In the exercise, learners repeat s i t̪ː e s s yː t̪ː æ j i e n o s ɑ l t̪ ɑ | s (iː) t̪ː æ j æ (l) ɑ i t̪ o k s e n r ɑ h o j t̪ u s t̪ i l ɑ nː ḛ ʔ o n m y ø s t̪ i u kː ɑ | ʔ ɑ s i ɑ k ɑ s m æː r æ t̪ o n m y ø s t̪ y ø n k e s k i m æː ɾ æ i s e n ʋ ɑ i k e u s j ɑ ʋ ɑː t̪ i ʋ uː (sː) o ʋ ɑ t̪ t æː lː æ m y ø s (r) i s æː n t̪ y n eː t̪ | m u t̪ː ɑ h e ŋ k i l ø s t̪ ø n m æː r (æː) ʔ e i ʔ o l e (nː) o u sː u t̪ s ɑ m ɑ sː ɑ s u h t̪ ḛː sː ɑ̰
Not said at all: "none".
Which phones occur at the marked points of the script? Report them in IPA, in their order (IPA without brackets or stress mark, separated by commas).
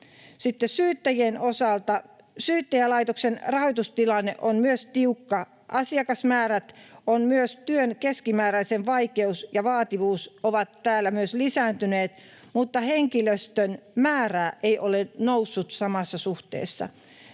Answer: yː, l, s, l, æː, n